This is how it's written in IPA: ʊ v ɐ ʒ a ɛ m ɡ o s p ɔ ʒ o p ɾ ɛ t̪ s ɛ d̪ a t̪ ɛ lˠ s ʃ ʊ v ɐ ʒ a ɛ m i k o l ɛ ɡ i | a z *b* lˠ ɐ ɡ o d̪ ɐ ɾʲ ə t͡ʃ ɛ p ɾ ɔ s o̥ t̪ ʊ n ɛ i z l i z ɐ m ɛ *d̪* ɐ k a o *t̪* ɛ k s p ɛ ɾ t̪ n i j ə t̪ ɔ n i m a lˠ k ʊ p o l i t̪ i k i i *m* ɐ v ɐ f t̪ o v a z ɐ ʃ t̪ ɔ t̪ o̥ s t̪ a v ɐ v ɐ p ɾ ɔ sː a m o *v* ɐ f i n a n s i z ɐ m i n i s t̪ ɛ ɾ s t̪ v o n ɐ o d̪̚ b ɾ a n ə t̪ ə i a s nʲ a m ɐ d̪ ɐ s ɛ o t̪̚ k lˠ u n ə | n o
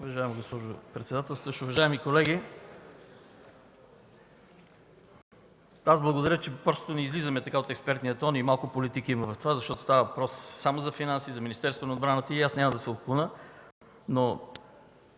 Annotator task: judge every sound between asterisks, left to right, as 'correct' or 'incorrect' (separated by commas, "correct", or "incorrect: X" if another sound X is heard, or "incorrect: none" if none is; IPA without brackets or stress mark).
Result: correct, incorrect: t̪, correct, correct, incorrect: z